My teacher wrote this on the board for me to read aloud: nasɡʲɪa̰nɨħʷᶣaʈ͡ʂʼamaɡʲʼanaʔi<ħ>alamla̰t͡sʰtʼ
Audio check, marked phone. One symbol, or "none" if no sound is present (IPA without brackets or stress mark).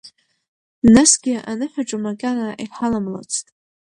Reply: ħ